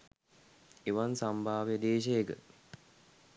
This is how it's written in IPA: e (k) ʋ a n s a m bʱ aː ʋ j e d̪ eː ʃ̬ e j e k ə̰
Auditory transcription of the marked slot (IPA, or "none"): none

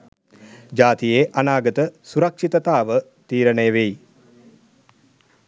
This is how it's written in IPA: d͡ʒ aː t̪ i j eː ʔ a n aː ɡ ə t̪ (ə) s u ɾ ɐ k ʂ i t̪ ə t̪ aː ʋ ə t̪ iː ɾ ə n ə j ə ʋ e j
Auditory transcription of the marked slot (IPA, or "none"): ə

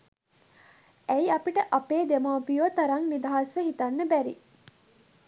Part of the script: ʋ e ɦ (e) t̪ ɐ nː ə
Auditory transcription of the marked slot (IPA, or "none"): i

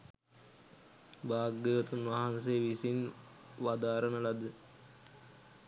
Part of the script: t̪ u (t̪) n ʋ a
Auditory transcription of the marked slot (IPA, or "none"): none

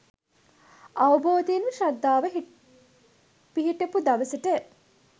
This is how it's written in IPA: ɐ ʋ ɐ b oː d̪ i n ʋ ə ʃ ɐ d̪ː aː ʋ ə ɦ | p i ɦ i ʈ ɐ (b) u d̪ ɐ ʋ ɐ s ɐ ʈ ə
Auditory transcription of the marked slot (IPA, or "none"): p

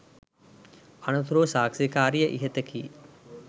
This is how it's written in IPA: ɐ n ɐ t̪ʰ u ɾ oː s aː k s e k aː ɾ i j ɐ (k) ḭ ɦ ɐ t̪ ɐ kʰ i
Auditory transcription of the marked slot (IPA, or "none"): ʔ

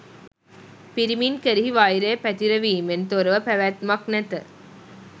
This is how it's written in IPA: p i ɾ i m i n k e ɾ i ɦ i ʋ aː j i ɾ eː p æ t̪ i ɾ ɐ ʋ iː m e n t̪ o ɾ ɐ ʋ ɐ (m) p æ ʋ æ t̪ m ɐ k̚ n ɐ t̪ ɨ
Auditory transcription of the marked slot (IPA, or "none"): none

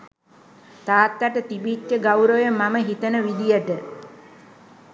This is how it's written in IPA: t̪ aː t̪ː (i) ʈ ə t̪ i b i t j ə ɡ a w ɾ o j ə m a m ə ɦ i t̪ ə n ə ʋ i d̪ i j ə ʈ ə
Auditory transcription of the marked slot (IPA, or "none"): a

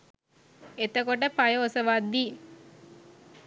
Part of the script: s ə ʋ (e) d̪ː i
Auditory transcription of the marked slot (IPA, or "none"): a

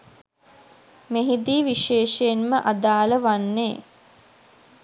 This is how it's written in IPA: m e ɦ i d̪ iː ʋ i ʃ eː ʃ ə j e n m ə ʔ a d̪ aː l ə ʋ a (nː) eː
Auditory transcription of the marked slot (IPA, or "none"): nː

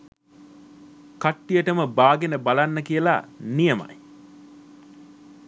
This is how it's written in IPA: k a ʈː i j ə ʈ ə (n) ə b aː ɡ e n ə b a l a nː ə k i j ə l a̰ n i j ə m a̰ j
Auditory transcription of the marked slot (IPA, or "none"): m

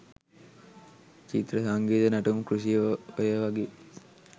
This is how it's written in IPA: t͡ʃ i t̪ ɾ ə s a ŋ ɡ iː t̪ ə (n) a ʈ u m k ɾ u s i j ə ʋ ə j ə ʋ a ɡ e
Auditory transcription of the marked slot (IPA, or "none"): n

